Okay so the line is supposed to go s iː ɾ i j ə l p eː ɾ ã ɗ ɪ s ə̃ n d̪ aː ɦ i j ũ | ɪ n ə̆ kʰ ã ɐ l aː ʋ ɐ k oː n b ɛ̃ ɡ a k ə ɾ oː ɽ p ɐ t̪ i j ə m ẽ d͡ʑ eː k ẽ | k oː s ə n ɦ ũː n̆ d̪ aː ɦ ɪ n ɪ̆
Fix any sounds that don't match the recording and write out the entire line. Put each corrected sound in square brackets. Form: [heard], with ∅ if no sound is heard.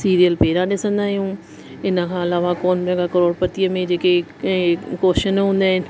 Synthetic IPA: s iː ɾ i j ə l p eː ɾ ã ɗ ɪ s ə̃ n d̪ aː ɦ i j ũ | ɪ n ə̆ kʰ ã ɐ l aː ʋ [a] k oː n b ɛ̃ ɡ a k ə ɾ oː ɽ p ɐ t̪ i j ə m ẽ d͡ʑ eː k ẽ | k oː [ʃ] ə n ɦ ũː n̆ d̪ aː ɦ ɪ n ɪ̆